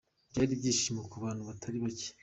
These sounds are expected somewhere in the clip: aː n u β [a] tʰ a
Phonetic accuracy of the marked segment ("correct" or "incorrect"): correct